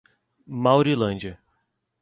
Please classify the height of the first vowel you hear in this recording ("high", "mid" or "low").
low